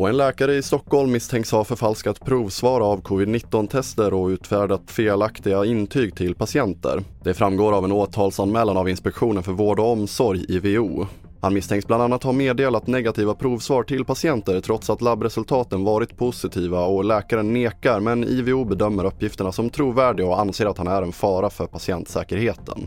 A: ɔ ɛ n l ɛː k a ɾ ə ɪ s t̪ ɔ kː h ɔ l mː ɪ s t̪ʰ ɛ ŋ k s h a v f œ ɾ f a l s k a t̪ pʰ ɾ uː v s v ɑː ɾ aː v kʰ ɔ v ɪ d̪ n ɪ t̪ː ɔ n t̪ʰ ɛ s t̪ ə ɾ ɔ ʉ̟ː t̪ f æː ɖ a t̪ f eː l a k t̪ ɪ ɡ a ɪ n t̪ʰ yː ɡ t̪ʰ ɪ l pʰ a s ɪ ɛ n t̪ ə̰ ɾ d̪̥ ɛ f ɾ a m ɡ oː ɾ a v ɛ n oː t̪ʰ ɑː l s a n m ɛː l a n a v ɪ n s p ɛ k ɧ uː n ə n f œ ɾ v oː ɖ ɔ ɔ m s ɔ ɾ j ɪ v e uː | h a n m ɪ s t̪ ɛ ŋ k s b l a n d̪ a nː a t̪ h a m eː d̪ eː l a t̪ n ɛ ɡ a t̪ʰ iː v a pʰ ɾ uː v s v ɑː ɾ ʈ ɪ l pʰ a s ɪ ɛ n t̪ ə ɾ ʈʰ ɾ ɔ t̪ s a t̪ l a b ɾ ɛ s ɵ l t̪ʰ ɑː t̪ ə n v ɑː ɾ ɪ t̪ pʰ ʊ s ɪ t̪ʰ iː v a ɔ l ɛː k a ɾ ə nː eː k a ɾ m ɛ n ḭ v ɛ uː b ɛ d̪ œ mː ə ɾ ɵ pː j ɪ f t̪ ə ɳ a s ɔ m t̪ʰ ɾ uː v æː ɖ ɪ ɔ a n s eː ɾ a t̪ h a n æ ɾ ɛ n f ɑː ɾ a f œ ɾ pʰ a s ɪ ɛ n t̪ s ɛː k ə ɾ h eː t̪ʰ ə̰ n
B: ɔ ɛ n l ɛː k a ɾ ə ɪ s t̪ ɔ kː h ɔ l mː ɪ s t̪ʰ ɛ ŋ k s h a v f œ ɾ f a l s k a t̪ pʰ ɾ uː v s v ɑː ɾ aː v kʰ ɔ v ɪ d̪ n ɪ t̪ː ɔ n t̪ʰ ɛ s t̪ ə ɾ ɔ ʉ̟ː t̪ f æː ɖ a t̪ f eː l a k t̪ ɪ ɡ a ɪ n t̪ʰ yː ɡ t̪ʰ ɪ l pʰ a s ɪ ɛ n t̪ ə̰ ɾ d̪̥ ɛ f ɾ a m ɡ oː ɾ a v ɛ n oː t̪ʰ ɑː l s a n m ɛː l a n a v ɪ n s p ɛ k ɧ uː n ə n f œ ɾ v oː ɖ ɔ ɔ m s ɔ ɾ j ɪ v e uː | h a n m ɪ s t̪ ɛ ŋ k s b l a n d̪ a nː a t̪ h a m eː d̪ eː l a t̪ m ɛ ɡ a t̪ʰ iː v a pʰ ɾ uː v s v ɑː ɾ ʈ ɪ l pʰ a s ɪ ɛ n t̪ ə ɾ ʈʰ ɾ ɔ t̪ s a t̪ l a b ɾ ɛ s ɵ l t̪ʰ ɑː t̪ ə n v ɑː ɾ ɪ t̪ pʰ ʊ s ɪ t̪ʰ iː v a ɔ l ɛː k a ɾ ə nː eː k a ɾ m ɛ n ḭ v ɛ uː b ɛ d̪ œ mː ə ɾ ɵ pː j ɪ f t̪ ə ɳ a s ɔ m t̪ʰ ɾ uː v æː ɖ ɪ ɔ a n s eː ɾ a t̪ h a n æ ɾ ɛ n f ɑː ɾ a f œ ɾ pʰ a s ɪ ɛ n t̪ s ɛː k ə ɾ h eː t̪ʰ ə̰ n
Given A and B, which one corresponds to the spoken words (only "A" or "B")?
A